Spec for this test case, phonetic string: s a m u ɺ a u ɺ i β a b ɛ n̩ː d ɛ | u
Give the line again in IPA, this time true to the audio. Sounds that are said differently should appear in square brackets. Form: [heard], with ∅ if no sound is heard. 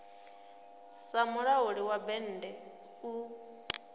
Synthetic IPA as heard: s a m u ɺ a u ɺ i [w] a b ɛ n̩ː d ɛ | u